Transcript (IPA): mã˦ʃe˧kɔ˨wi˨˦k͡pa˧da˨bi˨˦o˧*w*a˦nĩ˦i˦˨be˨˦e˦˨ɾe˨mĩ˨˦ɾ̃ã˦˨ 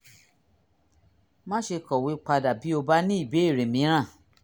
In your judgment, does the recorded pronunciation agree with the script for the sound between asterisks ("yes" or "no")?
no